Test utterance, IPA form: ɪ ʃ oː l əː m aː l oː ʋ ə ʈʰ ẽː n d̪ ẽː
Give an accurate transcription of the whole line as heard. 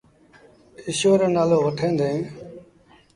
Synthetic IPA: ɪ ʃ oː ɾ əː n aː l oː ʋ ə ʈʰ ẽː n d̪ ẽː